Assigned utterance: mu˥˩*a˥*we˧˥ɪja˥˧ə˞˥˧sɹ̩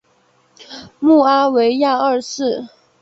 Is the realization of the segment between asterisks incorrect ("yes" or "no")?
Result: no